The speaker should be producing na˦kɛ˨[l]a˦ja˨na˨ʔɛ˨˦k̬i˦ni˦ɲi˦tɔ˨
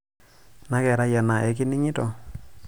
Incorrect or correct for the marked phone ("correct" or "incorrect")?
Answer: incorrect